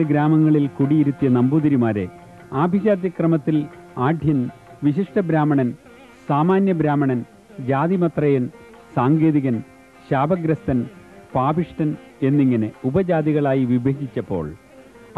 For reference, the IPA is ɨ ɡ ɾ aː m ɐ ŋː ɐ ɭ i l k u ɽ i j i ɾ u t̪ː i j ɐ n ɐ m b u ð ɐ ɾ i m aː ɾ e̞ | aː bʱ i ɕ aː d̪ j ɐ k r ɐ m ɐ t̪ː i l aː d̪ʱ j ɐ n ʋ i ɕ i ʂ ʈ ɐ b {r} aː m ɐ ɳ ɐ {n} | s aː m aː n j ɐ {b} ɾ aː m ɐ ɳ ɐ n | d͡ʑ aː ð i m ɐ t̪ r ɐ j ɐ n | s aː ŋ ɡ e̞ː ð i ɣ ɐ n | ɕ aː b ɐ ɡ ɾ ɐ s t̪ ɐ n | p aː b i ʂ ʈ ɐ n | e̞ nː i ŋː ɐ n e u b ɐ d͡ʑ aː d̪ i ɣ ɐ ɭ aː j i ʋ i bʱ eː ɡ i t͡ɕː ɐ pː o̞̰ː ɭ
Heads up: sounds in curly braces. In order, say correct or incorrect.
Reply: incorrect, correct, correct

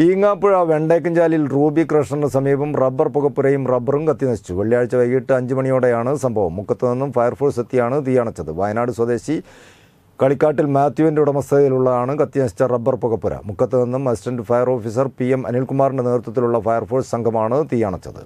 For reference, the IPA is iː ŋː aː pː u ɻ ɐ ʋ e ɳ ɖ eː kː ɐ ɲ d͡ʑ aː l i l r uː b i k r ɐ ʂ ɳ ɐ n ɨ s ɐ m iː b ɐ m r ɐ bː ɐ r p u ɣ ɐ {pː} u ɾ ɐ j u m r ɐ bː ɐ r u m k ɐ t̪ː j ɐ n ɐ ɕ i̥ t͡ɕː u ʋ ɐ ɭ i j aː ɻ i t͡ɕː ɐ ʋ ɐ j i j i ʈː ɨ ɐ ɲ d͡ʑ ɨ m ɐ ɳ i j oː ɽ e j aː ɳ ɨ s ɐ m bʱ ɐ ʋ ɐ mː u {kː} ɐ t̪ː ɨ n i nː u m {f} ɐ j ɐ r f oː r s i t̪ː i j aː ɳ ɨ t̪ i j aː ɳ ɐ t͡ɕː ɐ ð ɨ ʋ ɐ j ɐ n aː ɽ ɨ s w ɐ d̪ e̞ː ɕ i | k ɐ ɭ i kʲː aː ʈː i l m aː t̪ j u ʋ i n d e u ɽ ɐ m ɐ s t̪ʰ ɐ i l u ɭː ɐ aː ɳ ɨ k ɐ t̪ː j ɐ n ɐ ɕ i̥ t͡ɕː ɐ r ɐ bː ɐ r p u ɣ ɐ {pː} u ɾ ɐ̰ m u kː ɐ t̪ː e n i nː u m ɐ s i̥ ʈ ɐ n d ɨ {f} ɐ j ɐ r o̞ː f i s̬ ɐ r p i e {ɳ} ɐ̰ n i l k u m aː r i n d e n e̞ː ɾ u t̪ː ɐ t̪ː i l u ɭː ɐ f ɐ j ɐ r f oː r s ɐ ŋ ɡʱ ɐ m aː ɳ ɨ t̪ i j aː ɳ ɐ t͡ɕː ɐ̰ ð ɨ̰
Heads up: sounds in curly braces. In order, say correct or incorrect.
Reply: correct, correct, correct, correct, correct, incorrect

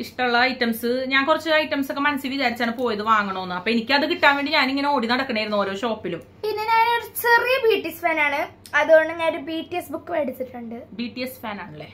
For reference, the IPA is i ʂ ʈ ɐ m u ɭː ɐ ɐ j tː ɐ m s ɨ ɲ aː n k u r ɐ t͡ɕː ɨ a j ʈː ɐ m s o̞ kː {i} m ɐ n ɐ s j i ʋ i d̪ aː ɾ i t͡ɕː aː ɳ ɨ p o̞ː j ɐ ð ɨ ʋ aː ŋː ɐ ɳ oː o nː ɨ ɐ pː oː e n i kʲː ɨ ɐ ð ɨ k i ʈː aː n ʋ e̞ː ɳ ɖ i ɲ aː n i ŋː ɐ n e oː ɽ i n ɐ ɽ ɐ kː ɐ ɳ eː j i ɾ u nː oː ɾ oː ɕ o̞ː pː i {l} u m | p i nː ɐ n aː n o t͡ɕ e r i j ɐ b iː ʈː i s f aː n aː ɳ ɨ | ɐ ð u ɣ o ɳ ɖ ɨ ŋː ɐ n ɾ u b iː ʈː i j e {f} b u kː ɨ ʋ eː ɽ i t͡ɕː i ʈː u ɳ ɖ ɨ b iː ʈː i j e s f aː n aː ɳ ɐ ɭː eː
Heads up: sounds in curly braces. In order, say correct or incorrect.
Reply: incorrect, correct, incorrect

